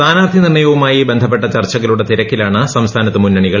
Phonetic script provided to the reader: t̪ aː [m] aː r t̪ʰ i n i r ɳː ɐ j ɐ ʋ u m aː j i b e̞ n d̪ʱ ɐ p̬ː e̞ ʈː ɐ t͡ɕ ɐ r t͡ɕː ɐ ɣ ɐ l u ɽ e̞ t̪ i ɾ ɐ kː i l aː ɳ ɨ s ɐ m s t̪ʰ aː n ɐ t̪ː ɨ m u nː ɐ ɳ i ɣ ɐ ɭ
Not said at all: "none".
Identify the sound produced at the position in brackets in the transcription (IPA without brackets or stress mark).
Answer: n